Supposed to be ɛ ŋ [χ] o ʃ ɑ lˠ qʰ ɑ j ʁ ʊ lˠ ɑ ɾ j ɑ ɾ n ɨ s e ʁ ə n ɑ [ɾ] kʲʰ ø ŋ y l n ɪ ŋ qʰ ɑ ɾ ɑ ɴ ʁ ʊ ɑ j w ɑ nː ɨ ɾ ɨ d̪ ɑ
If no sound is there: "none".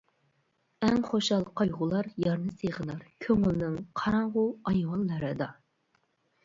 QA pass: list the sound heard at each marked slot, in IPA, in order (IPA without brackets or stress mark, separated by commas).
χ, ɾ